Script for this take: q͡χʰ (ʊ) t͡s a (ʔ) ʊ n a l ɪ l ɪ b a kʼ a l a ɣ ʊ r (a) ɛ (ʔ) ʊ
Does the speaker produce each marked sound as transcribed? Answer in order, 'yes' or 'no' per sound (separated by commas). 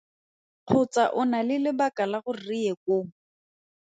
yes, yes, no, no